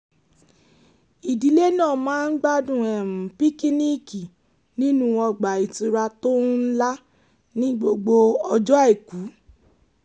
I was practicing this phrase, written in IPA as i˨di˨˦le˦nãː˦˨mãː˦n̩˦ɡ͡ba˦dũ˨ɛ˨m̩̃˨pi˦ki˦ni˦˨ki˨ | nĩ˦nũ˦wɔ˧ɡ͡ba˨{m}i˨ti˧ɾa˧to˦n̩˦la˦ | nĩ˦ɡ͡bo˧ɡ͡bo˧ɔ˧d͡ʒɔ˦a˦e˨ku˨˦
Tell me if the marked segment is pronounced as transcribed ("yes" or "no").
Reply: no